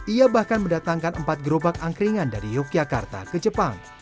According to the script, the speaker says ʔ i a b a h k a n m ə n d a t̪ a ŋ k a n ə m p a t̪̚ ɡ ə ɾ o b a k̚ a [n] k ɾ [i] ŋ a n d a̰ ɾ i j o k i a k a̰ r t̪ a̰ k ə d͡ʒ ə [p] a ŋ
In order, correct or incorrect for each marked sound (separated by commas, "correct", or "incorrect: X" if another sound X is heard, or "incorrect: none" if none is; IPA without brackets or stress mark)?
incorrect: ŋ, correct, correct